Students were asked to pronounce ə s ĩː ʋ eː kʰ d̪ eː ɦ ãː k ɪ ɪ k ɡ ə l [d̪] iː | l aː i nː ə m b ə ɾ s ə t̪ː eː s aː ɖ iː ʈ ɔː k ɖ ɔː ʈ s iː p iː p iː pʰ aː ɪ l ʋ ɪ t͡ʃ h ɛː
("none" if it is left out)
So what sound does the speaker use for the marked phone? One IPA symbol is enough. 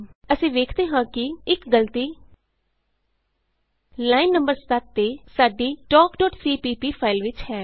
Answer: t̪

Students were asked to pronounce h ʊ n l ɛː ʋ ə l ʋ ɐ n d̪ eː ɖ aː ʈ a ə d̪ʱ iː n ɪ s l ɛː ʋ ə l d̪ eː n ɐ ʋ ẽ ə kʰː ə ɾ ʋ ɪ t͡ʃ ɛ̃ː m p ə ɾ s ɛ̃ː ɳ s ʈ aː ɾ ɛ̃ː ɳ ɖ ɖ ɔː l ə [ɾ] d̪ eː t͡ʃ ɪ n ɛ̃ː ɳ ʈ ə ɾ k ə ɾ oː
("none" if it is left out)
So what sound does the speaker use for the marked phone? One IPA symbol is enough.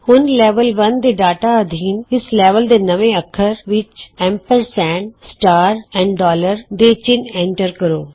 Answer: ɾ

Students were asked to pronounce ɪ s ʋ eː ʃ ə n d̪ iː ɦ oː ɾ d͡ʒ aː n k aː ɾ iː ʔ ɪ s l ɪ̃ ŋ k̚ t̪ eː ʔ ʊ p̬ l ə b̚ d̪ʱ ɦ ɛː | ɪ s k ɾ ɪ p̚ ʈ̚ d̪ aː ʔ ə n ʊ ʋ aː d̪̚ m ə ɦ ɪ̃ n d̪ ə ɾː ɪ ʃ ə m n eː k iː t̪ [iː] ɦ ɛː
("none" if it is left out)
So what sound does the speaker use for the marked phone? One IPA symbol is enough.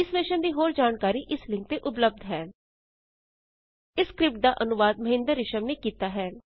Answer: aː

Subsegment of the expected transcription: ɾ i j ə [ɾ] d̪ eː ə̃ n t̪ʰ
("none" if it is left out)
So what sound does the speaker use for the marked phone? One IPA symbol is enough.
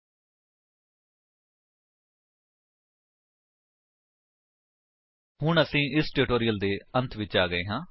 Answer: l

